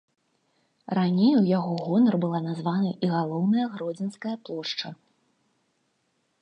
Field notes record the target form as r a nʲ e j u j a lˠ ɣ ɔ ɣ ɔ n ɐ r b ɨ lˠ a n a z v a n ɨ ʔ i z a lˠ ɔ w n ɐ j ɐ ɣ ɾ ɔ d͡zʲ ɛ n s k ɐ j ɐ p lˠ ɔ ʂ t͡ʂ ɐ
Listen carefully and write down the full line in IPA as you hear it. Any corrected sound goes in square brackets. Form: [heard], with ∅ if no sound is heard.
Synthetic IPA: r a nʲ e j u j a [∅] ɣ ɔ ɣ ɔ n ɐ r b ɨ lˠ a n a z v a n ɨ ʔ i [ɣ] a lˠ ɔ w n ɐ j ɐ ɣ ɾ ɔ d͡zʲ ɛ n s k ɐ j ɐ p lˠ ɔ ʂ t͡ʂ ɐ